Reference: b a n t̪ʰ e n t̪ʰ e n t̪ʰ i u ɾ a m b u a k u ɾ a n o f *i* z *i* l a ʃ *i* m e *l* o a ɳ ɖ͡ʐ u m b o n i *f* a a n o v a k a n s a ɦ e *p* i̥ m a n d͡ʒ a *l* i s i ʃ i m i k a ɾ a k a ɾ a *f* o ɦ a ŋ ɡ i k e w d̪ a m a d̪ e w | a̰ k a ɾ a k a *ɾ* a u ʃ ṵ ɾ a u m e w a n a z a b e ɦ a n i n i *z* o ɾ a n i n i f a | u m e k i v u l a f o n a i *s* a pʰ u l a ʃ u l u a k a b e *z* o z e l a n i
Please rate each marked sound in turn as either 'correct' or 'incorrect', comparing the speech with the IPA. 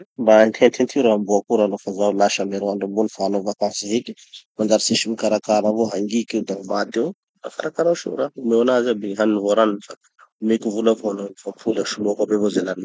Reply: incorrect, incorrect, incorrect, incorrect, correct, incorrect, incorrect, incorrect, correct, incorrect, incorrect, incorrect

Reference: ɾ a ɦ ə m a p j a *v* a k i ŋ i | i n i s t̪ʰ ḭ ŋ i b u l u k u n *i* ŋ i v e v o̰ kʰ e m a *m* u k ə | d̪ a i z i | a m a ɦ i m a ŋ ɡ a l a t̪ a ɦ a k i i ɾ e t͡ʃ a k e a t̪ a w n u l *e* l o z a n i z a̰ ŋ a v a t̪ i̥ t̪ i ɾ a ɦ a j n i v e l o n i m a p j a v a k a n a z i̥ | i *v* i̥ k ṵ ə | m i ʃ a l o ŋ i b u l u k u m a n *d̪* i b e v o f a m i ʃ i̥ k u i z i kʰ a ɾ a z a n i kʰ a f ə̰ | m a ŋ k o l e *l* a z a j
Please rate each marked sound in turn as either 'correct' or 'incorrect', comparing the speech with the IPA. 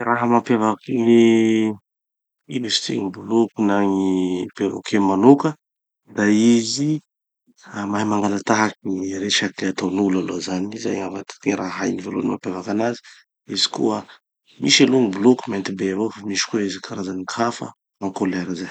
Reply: correct, incorrect, incorrect, incorrect, incorrect, incorrect, incorrect

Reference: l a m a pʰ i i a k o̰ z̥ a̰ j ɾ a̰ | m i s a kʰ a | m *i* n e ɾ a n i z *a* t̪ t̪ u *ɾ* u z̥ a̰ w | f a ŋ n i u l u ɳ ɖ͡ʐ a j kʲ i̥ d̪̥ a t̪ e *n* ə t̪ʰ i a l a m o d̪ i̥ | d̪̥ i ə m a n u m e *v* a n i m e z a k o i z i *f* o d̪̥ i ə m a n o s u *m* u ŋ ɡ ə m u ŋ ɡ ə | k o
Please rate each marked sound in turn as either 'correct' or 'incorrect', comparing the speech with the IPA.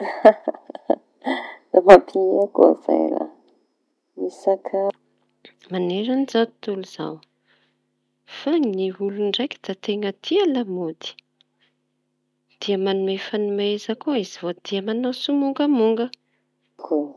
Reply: incorrect, correct, incorrect, incorrect, incorrect, incorrect, correct

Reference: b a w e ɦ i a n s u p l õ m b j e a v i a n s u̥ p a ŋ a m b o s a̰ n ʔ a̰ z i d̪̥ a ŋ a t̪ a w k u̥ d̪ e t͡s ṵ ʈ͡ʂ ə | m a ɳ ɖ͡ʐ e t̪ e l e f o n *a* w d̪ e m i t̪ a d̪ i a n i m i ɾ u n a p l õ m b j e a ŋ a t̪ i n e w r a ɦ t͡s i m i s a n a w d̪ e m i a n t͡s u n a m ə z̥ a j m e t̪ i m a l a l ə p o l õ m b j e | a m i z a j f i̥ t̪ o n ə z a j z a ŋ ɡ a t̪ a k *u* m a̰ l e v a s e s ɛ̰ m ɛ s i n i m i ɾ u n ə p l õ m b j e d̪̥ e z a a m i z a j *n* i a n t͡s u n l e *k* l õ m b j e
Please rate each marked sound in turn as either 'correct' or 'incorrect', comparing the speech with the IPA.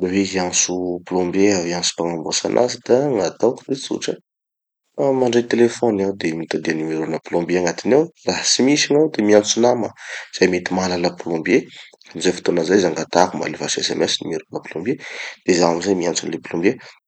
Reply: correct, correct, incorrect, incorrect

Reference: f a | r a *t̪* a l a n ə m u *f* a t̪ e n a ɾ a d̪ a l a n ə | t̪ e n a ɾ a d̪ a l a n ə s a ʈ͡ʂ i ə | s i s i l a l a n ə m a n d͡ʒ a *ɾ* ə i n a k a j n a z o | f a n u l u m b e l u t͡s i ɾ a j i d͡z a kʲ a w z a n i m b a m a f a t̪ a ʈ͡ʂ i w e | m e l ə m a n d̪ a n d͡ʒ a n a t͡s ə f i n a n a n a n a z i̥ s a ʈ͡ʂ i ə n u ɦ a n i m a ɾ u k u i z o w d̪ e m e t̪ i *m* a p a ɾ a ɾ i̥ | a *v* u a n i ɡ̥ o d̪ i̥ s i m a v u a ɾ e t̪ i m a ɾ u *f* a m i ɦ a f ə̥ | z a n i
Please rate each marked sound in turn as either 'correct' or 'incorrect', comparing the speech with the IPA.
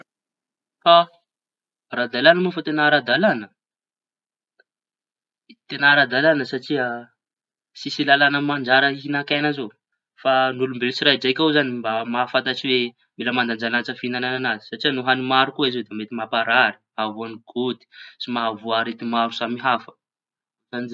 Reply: incorrect, correct, correct, correct, correct, incorrect

